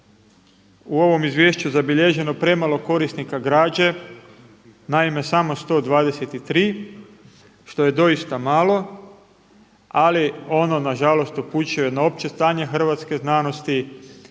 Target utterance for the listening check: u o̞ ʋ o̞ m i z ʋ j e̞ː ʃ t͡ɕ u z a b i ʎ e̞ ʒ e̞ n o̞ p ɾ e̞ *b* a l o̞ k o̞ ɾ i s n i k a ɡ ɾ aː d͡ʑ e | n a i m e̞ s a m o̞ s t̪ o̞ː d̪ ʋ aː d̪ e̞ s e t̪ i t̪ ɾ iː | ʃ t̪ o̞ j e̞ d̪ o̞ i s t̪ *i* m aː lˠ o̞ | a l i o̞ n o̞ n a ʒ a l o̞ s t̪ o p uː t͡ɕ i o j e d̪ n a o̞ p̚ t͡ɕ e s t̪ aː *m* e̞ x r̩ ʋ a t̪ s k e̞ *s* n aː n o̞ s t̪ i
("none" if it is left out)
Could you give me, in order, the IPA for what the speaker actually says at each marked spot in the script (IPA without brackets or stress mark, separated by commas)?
m, a, ɲ, z